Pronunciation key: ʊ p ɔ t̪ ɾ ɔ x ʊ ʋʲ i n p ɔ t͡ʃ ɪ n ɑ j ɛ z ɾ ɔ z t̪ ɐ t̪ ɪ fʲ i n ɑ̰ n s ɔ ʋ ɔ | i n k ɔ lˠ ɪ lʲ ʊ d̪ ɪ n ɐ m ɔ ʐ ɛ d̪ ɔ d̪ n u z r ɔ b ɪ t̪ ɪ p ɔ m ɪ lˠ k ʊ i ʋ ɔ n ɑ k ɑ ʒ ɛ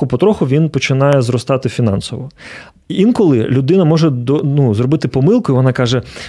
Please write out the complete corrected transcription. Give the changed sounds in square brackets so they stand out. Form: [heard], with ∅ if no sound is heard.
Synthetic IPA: ʊ p ɔ t̪ ɾ ɔ x ʊ ʋʲ i n p ɔ t͡ʃ ɪ n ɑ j ɛ z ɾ ɔ [s] t̪ [ɑ] t̪ ɪ fʲ i n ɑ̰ n s ɔ ʋ ɔ | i n k ɔ lˠ ɪ lʲ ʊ d̪ ɪ n ɐ m ɔ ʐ ɛ d̪ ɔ [∅] n u z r ɔ b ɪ t̪ ɪ p ɔ m ɪ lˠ k ʊ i ʋ ɔ n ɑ k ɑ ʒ ɛ